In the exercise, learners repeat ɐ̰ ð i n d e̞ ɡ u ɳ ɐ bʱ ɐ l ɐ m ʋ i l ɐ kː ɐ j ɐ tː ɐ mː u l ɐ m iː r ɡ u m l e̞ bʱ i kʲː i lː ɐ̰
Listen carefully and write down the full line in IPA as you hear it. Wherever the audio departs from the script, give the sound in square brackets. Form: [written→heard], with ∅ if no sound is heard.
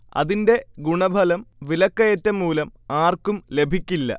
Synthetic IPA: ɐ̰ ð i n d e̞ ɡ u ɳ ɐ bʱ ɐ l ɐ m ʋ i l ɐ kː ɐ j ɐ tː ɐ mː [u→uː] l ɐ m [iː→aː] r [ɡ→k] u m l e̞ bʱ i kʲː i lː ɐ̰